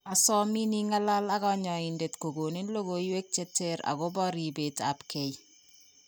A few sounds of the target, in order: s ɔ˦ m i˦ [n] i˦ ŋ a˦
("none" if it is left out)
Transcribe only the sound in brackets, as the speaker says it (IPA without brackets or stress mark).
n